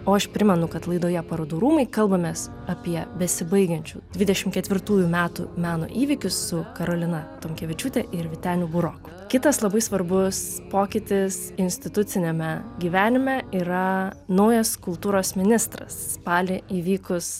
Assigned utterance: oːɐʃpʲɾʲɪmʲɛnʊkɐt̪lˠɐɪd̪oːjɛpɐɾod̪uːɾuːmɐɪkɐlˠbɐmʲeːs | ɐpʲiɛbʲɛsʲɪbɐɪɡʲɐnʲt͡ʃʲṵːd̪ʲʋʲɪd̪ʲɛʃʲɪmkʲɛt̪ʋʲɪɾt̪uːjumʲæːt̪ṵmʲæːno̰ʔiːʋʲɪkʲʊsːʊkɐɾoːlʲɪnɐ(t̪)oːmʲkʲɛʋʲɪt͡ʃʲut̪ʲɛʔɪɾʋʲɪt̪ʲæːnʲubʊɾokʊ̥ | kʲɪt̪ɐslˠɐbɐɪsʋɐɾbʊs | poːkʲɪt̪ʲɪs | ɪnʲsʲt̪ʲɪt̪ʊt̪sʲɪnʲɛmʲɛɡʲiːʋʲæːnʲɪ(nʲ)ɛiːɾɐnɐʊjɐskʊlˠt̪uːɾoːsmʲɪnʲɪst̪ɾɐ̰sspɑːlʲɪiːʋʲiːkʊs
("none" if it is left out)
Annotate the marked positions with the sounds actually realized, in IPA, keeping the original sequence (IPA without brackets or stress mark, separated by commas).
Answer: t̪, mʲ